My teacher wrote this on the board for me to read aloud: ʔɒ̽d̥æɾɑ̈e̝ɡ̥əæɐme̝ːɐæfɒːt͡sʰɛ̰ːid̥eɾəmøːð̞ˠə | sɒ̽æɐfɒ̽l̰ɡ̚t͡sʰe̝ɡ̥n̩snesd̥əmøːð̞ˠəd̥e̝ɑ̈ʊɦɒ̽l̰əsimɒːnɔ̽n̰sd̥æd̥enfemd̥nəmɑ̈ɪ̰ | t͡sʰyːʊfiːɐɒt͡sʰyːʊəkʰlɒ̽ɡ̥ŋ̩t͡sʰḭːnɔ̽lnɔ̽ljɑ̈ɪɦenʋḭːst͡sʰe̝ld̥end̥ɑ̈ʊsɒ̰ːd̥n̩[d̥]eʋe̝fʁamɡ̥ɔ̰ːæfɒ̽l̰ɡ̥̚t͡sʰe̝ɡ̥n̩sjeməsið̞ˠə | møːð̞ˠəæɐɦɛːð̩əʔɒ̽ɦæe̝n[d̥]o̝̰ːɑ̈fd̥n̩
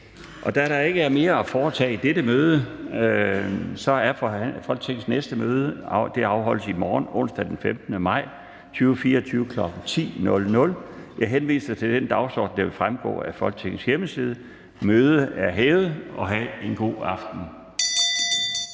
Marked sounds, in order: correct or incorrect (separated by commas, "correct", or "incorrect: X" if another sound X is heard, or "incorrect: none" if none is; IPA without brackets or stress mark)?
correct, incorrect: ɡ̥